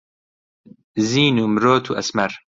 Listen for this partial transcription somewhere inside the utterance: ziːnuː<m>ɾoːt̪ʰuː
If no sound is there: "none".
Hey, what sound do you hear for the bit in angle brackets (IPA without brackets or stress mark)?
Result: m